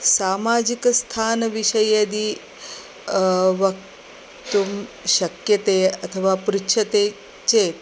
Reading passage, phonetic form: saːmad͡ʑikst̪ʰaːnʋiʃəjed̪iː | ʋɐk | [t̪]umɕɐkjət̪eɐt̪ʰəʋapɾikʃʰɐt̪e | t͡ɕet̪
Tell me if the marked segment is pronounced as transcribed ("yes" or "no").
yes